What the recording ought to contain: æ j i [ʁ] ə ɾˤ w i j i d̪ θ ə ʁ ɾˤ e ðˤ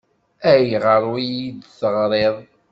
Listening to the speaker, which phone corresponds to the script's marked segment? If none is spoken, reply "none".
ʁ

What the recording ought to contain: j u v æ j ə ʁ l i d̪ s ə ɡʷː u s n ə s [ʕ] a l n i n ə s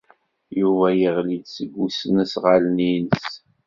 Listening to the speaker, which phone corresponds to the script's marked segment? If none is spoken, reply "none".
ʁ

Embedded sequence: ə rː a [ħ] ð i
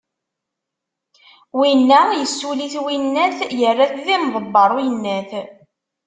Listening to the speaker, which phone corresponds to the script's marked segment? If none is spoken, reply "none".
θ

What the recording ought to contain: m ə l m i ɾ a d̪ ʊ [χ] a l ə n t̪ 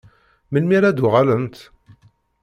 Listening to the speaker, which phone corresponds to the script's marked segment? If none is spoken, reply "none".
ʁ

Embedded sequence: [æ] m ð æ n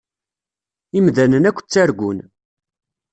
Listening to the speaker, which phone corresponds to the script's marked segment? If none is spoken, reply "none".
i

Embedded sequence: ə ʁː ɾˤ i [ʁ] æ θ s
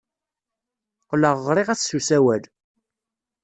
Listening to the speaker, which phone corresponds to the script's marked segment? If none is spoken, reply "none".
ʁ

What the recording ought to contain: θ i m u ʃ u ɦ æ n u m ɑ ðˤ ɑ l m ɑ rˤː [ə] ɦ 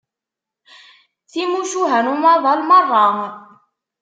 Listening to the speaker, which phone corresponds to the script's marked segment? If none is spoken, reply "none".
ɑ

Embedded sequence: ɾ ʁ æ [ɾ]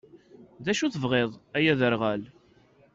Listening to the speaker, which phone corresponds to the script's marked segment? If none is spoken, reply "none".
l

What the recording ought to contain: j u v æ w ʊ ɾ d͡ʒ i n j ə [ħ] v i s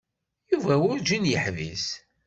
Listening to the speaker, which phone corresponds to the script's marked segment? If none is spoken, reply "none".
ħ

